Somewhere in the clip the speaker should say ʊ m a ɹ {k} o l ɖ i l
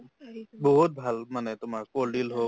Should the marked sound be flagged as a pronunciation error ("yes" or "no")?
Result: no